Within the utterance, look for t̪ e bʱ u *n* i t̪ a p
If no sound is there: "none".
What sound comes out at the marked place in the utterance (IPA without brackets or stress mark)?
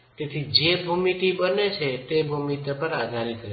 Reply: m